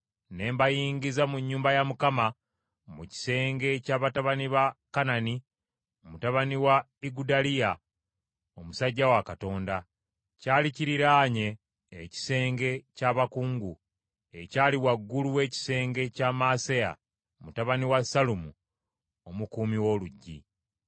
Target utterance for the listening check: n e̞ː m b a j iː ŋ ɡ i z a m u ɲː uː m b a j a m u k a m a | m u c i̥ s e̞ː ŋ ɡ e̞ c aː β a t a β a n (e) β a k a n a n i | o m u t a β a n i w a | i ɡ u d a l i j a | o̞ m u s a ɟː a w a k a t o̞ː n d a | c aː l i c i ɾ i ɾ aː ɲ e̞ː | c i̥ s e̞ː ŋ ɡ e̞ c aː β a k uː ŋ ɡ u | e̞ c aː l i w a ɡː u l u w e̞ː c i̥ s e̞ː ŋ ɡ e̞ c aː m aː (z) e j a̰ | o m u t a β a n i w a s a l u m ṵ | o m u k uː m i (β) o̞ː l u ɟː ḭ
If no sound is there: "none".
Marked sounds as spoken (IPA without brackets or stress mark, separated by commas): i, s, w